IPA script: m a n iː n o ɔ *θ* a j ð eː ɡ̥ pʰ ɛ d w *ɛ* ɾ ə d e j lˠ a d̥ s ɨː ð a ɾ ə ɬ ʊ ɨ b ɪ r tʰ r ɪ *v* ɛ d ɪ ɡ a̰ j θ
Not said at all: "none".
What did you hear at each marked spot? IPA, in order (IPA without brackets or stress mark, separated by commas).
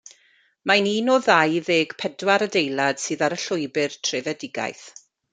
ð, a, v